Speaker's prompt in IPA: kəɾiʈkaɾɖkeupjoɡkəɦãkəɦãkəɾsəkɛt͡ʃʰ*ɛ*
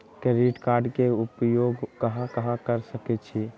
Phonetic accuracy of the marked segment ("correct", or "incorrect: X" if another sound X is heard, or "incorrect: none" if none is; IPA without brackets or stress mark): incorrect: i